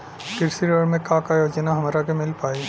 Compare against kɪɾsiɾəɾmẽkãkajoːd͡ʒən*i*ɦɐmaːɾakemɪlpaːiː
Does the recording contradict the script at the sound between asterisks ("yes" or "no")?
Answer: yes